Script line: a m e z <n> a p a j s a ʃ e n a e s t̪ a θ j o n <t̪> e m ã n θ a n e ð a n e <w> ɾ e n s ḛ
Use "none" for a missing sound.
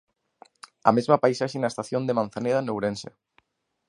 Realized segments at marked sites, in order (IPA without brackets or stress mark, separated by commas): m, d̪, w